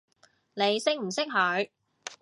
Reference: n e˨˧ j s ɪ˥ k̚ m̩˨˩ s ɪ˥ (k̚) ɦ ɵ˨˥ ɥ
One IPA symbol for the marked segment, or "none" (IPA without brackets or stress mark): k̚